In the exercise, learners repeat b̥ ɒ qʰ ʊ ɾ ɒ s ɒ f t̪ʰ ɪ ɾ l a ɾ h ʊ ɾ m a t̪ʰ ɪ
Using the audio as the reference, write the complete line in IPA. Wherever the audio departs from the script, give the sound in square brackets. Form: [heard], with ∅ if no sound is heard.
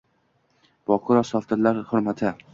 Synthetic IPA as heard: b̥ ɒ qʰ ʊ ɾ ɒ s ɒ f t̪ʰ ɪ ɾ l a ɾ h ʊ ɾ m a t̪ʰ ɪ